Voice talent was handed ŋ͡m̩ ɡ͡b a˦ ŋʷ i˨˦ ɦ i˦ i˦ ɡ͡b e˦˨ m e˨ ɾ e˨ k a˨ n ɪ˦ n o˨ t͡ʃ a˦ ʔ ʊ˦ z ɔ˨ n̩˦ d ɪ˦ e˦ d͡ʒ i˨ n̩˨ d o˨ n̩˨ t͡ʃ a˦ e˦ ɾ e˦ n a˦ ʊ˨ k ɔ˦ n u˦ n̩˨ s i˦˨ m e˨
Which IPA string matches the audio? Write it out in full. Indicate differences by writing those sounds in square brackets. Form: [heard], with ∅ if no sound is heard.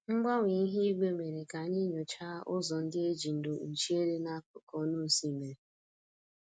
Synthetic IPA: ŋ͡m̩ ɡ͡b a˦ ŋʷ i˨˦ ɦ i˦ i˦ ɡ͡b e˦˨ m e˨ ɾ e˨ k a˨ [ɲ] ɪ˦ [ɲ] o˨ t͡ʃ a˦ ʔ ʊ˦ z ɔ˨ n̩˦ d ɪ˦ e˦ d͡ʒ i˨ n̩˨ d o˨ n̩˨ t͡ʃ [i˦] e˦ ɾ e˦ n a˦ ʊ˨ k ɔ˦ n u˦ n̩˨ s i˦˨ m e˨